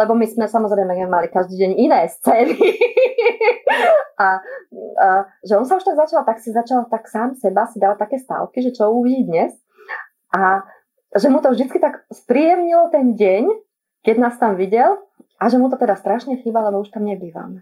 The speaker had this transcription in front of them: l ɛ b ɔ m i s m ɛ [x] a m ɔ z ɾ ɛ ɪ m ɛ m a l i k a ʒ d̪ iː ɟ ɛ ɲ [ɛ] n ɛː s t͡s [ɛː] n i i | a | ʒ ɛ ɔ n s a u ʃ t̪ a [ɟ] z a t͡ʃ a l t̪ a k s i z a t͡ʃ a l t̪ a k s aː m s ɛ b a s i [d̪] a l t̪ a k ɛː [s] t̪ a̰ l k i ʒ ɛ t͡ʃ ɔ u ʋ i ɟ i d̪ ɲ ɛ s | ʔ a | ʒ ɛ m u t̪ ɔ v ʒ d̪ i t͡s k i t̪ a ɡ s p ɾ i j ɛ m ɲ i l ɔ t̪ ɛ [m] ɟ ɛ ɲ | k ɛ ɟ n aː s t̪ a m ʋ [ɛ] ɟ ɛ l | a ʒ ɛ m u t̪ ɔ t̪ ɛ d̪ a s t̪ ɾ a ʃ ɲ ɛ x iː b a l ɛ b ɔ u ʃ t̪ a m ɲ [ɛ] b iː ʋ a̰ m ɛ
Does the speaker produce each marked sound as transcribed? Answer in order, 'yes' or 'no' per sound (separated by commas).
no, no, yes, no, yes, yes, no, no, yes